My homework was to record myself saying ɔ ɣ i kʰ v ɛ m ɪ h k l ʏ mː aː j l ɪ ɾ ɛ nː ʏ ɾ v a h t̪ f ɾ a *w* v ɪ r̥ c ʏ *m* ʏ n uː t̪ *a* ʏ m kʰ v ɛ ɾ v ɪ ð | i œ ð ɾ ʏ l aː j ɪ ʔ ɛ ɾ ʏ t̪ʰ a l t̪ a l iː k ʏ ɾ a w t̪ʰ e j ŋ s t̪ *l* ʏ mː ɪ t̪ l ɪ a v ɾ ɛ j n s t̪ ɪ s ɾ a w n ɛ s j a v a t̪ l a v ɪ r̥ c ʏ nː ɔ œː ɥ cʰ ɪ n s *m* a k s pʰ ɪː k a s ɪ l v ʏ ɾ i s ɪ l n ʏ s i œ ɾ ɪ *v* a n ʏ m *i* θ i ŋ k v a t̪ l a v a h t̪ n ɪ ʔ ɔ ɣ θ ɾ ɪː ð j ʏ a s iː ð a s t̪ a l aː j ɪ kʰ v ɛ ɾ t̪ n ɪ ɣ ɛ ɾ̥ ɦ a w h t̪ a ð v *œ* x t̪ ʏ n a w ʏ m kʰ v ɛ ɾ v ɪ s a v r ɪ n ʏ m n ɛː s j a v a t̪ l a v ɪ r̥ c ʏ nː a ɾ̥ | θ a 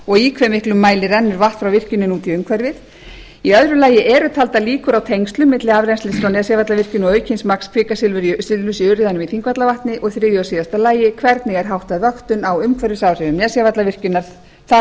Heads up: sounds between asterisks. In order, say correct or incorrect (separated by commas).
correct, incorrect, incorrect, correct, correct, incorrect, correct, correct